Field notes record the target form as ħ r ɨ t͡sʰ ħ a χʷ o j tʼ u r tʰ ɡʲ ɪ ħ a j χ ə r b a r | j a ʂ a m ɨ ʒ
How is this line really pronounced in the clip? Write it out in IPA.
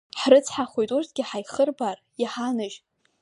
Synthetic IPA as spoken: ħ r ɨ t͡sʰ ħ a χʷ o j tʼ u r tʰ ɡʲ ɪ ħ a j χ ə r b a r | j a ħ a n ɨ ʒ